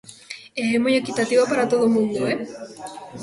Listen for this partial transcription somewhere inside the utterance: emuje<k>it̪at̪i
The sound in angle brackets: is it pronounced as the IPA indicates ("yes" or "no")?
yes